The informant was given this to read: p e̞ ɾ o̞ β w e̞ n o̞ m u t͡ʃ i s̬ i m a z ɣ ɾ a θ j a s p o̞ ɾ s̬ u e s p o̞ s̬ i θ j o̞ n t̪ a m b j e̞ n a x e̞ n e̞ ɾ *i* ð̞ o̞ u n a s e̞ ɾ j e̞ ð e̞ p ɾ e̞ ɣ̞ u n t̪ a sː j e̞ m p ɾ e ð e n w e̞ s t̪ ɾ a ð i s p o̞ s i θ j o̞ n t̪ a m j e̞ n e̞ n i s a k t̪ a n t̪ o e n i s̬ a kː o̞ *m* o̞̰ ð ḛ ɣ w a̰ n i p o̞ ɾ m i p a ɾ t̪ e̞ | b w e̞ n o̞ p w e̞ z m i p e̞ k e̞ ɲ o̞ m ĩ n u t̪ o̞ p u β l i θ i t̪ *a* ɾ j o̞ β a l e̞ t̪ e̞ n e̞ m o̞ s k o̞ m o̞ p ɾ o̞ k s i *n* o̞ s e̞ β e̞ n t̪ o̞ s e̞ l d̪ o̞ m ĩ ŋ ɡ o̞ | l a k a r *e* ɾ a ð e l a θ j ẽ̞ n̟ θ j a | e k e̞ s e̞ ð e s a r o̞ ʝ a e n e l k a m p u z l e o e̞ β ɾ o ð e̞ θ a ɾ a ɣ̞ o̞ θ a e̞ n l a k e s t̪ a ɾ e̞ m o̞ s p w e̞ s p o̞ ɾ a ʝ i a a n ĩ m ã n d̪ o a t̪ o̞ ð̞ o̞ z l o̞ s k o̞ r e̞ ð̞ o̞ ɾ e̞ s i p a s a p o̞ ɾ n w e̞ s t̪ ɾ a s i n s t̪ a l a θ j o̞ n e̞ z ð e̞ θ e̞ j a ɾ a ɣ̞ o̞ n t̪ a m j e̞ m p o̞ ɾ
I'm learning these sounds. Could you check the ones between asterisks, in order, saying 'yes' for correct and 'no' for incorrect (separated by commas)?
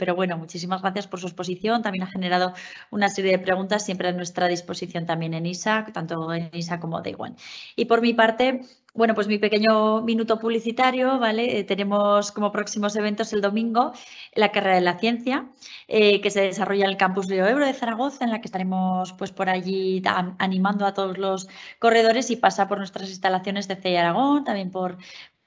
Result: no, yes, yes, no, yes